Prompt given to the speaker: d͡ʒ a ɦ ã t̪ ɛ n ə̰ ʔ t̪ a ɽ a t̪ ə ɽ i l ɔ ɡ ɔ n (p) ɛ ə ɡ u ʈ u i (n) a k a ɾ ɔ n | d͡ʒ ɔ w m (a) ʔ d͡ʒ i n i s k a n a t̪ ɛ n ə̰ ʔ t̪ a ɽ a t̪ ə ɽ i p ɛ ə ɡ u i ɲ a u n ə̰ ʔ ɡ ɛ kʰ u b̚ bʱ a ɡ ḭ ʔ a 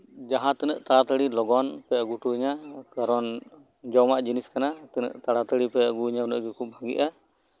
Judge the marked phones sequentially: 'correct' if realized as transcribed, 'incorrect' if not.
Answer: correct, incorrect: ɲ, correct

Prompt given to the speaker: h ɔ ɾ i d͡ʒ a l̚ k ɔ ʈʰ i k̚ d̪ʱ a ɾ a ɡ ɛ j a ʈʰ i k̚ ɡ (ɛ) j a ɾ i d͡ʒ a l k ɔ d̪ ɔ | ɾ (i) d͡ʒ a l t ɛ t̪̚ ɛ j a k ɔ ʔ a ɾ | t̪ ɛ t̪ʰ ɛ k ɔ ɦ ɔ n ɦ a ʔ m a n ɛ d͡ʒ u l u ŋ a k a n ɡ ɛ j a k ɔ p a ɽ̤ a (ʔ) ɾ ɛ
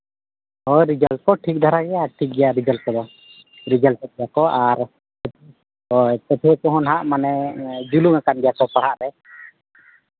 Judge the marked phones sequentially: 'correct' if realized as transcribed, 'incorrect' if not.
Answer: correct, correct, correct

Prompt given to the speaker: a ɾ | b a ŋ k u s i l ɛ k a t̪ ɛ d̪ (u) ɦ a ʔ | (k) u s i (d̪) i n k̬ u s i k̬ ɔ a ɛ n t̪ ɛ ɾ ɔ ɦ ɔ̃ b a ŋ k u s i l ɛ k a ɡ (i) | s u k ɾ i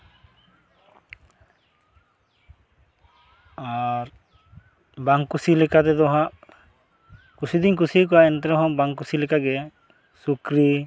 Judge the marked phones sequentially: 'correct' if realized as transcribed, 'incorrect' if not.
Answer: incorrect: ɔ, correct, correct, incorrect: ɛ

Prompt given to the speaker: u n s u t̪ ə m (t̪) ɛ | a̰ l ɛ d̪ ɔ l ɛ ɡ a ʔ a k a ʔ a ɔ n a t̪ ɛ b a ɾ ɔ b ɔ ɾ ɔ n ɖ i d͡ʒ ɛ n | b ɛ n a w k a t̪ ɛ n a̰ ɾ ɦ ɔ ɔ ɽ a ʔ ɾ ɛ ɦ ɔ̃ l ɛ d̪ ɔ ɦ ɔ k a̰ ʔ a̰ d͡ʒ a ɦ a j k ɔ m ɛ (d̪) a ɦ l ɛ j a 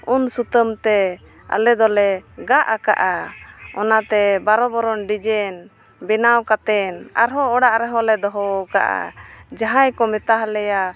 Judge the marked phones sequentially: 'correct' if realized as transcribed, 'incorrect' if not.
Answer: correct, incorrect: t̪

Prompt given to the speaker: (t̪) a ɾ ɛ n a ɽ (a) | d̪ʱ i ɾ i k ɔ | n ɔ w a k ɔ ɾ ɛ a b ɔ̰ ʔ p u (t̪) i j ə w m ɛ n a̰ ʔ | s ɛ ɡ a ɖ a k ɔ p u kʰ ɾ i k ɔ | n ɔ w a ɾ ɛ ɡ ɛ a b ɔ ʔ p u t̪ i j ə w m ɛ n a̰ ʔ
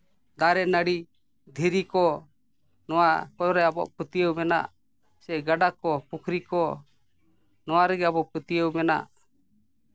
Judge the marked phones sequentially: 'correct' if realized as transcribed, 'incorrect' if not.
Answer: incorrect: d̪, incorrect: i, correct

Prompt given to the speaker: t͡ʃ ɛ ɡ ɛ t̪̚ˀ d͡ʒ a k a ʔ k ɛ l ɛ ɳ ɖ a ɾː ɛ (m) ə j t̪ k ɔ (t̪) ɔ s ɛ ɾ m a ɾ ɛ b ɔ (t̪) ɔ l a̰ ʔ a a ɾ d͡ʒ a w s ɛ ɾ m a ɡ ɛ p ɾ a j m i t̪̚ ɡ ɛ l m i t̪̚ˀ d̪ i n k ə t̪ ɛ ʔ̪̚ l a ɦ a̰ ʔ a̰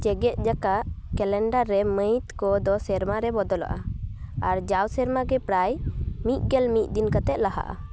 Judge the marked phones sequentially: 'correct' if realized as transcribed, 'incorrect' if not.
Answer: correct, incorrect: d̪, incorrect: d̪

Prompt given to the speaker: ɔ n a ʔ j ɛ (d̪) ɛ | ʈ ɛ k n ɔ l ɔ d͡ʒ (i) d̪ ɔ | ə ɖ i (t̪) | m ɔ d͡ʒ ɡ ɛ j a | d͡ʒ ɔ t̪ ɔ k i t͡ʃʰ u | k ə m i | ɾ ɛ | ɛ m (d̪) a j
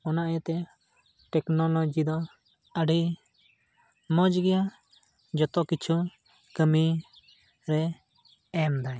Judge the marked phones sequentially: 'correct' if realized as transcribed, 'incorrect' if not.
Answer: incorrect: t̪, correct, incorrect: none, correct

